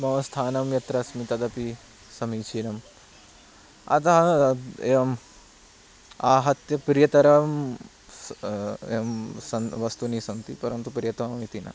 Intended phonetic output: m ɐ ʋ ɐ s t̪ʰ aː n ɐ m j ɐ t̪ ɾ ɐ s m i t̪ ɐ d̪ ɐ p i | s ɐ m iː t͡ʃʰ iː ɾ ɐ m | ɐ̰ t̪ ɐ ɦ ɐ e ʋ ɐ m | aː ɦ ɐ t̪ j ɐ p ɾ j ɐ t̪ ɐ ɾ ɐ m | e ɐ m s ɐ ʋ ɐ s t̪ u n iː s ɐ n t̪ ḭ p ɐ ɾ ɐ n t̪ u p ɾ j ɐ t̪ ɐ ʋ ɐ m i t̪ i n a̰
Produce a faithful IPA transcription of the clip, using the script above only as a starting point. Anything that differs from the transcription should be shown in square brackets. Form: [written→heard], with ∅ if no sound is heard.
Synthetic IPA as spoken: m ɐ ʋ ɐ s t̪ʰ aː n ɐ m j ɐ t̪ ɾ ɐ s m i t̪ ɐ d̪ ɐ p i | s ɐ m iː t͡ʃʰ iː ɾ ɐ m | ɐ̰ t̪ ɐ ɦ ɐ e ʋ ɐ m | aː ɦ ɐ t̪ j ɐ p ɾ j ɐ t̪ ɐ ɾ ɐ m | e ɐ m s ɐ ʋ ɐ s t̪ u n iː s ɐ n t̪ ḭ p ɐ ɾ ɐ n t̪ u p ɾ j ɐ t̪ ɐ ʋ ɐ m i t̪ i n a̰